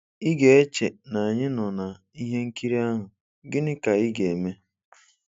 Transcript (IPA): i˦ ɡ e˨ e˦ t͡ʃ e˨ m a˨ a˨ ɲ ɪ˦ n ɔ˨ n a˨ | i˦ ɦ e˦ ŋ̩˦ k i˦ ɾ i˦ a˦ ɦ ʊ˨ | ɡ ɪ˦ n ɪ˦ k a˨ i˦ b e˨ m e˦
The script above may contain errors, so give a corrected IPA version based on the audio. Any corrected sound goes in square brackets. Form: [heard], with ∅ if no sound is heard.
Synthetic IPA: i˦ ɡ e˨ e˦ t͡ʃ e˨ [n] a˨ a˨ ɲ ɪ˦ n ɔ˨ n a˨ | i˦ ɦ e˦ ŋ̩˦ k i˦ ɾ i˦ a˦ ɦ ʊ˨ | ɡ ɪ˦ n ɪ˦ k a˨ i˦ [ɡ] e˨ m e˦